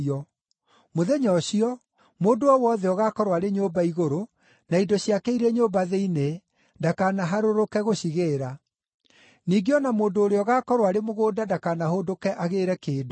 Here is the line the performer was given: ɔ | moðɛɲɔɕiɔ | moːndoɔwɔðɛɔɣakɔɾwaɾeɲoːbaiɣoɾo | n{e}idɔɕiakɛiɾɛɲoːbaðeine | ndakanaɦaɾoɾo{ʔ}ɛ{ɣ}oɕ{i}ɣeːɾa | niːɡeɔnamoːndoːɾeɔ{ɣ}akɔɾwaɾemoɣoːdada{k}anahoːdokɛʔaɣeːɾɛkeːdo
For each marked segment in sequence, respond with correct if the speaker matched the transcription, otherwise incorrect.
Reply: incorrect, incorrect, correct, correct, correct, correct

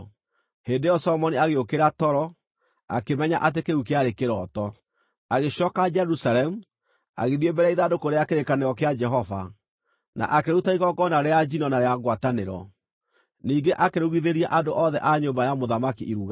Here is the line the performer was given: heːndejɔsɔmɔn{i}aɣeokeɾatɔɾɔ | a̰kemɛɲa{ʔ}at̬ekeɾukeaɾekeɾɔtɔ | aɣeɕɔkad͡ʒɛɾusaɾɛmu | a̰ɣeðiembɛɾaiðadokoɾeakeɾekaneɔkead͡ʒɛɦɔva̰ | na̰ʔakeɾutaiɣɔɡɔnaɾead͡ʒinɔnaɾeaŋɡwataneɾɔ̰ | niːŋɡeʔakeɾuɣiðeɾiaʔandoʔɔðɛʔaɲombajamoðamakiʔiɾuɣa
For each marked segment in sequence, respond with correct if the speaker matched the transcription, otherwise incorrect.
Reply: correct, correct

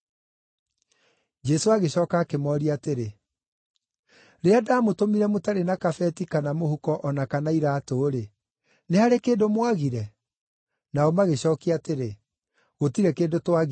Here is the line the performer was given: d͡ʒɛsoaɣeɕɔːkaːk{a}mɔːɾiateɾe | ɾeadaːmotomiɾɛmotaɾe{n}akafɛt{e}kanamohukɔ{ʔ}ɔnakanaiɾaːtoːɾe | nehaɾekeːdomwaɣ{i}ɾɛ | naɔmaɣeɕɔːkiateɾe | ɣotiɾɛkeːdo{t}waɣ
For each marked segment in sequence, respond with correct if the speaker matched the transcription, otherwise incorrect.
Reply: incorrect, correct, incorrect, correct, correct, correct

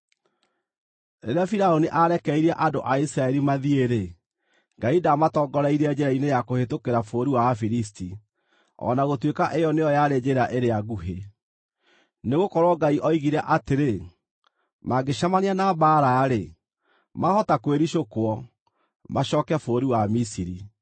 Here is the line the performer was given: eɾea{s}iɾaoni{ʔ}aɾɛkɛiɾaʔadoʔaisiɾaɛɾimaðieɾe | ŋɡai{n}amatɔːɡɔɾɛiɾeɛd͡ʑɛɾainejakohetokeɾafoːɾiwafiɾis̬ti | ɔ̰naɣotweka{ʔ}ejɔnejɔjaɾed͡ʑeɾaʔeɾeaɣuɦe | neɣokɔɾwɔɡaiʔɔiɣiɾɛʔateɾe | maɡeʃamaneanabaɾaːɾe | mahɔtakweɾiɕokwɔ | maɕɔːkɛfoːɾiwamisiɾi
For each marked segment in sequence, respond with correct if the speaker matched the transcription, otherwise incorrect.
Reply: incorrect, correct, incorrect, correct

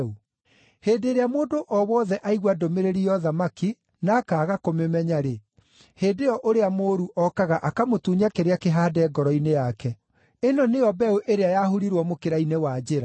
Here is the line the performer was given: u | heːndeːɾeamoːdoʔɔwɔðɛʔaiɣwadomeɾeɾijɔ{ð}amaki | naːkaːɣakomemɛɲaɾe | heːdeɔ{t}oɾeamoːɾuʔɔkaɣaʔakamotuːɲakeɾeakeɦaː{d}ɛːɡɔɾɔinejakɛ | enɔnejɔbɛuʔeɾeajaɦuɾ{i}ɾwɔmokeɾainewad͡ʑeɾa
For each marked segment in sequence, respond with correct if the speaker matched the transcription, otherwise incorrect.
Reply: correct, incorrect, correct, correct

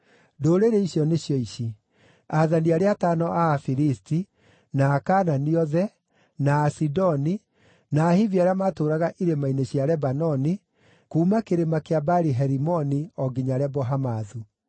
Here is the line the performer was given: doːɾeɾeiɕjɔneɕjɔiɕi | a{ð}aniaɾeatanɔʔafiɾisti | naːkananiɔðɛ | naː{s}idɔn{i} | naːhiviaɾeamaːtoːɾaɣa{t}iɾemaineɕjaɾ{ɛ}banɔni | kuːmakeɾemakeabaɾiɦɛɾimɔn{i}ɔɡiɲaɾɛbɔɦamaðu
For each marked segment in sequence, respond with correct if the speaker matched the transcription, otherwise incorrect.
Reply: correct, correct, correct, incorrect, correct, correct

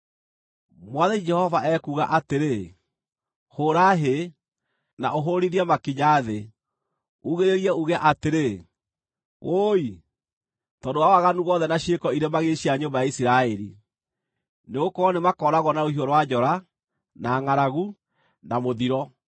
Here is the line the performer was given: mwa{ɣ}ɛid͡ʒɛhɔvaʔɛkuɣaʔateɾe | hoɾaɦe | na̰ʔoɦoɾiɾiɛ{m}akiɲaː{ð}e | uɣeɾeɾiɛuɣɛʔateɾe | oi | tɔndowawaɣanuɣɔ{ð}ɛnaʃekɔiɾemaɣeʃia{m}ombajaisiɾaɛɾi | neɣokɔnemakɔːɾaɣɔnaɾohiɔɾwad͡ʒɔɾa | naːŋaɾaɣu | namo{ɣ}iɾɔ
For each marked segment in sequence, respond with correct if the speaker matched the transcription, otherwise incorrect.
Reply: incorrect, correct, correct, correct, incorrect, incorrect

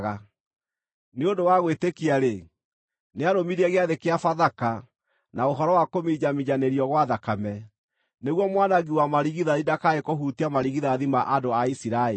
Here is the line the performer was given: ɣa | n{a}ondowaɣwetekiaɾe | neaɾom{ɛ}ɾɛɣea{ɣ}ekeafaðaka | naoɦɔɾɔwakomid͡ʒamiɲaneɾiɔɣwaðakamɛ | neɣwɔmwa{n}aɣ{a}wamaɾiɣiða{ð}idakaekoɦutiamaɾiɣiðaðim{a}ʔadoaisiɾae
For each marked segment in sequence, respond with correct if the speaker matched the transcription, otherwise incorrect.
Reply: incorrect, incorrect, incorrect, correct, incorrect, correct, correct

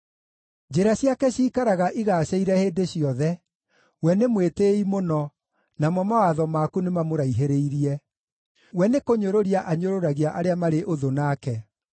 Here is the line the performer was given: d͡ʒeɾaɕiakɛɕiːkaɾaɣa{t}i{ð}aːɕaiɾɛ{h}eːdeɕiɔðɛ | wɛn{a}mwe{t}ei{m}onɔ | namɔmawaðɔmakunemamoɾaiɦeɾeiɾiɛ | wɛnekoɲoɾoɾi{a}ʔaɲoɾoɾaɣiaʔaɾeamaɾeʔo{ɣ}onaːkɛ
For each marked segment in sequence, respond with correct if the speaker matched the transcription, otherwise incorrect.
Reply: incorrect, incorrect, correct, incorrect, correct, correct, correct, incorrect

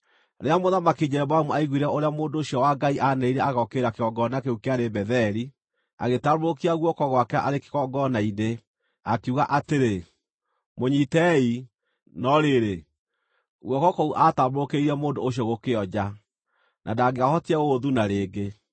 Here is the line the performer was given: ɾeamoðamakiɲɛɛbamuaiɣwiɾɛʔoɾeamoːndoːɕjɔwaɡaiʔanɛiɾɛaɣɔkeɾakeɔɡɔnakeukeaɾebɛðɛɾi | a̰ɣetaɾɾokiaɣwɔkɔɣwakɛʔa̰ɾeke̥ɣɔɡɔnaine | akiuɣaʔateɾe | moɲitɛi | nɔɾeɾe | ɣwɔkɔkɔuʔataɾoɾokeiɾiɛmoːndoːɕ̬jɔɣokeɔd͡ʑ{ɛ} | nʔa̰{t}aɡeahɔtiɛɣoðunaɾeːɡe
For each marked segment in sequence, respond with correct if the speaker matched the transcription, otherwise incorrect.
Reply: incorrect, incorrect

